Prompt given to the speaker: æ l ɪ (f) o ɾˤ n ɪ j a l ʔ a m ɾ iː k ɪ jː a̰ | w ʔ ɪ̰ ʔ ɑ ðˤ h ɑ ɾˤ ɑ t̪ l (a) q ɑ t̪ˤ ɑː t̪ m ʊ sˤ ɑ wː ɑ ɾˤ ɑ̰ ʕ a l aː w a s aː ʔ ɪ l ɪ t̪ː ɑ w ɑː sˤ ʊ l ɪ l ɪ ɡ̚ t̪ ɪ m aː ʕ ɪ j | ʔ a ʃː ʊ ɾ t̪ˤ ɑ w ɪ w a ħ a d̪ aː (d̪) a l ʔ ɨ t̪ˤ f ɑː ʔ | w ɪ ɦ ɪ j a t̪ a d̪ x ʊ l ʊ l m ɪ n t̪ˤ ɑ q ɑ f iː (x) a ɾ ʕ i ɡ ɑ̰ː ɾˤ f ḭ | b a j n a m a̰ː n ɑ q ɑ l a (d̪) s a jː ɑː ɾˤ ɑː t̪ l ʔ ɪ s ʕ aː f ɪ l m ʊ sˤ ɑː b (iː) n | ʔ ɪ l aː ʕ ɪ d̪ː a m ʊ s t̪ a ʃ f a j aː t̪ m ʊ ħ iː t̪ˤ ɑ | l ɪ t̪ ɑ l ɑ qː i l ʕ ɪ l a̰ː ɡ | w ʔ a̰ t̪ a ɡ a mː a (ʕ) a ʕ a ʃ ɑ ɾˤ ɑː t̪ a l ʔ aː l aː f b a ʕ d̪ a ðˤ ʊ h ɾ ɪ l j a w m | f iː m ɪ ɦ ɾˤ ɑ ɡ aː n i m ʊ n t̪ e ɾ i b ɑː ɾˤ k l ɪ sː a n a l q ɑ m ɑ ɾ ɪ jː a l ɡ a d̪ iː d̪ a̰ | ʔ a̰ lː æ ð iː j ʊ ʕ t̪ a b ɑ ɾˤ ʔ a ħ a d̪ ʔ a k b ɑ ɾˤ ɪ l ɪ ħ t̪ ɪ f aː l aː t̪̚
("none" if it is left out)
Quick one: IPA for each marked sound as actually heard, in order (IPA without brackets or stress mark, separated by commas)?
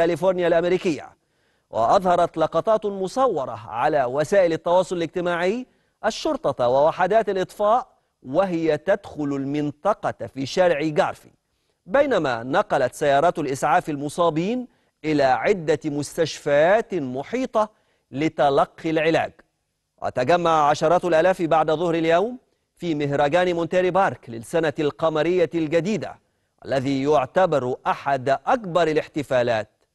f, ɑ, t̪, ʃ, t̪, iː, ʕ